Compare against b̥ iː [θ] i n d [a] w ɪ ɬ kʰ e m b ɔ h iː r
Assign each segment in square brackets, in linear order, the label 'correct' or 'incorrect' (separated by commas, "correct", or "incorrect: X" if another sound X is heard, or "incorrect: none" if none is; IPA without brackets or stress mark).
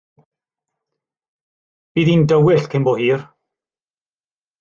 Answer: incorrect: ð, incorrect: ə